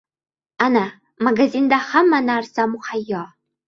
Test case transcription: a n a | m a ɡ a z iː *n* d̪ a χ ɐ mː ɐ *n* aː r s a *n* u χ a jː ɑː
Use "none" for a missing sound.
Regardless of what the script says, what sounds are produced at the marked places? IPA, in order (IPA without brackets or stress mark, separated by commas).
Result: n, n, m